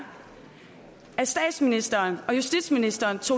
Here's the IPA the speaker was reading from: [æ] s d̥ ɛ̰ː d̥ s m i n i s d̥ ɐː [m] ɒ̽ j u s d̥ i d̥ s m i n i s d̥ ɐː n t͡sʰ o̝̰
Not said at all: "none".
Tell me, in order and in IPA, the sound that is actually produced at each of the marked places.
æ, n

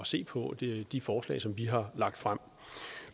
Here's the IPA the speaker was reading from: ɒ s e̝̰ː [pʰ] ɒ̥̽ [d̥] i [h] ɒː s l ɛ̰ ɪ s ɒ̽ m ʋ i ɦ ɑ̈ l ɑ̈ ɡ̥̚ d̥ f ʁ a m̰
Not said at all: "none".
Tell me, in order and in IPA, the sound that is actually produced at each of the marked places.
pʰ, d̥, f

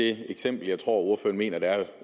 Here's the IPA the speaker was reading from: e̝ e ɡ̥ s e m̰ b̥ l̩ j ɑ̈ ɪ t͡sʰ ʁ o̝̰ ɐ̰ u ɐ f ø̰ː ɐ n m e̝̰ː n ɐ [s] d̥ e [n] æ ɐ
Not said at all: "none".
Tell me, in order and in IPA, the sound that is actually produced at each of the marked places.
none, none

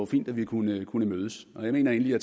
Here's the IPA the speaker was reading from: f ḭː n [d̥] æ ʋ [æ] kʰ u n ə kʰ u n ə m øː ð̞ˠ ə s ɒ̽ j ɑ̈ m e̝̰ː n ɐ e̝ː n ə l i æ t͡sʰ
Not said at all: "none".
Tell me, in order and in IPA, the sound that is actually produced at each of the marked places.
d̥, i

